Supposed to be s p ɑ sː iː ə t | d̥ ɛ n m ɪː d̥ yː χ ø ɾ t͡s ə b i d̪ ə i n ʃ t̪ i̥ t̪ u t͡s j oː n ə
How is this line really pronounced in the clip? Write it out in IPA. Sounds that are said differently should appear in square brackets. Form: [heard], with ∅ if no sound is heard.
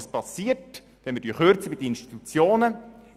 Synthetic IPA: s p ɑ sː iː ə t | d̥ ɛ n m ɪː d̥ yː χ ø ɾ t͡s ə b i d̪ ə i n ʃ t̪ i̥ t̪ u t͡s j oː n ə